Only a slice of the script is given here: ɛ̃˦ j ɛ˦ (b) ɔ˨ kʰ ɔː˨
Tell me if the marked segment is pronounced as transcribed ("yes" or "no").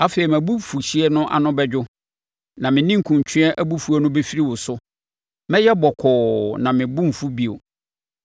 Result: yes